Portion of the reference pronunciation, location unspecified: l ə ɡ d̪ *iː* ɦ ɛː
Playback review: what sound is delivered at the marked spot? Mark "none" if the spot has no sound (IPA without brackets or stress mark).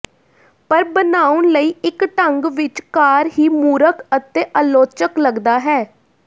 aː